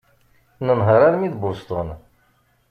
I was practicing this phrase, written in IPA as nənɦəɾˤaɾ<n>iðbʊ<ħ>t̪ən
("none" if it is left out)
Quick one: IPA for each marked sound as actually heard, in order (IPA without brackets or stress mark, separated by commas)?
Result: m, s